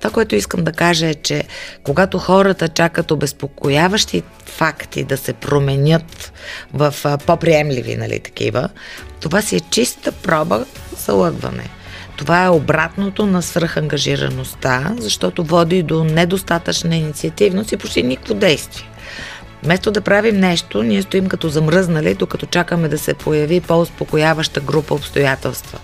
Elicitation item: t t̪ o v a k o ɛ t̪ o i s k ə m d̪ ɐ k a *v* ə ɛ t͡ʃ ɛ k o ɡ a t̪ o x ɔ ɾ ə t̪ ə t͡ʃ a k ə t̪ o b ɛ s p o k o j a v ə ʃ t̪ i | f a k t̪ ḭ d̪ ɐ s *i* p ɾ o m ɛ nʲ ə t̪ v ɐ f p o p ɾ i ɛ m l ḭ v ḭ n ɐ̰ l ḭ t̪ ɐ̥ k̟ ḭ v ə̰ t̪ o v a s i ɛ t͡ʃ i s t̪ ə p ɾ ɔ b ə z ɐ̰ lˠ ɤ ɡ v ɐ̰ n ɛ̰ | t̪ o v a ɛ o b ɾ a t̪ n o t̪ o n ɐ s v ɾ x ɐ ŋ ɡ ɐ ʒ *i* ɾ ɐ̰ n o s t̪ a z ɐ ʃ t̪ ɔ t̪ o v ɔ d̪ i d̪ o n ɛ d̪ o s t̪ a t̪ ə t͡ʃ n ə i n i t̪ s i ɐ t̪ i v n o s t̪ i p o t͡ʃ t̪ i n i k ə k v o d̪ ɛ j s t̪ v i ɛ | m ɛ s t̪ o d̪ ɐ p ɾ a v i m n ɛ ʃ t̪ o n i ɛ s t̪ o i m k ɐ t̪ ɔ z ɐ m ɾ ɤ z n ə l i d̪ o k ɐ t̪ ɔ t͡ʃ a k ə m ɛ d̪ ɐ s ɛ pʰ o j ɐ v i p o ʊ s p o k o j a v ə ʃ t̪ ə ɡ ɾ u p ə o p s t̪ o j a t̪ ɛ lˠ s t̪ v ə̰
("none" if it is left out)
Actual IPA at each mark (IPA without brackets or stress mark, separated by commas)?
ʒ, ɛ, i